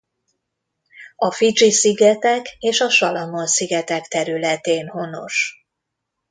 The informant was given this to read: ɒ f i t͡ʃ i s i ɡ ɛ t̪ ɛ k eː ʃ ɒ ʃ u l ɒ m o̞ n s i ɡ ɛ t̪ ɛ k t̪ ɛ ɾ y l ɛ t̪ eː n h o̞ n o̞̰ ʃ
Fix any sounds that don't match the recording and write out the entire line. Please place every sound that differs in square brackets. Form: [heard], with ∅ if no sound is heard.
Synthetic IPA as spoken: ɒ f i t͡ʃ i s i ɡ ɛ t̪ ɛ k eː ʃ ɒ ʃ [ɒ] l ɒ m o̞ n s i ɡ ɛ t̪ ɛ k t̪ ɛ ɾ y l ɛ t̪ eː n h o̞ n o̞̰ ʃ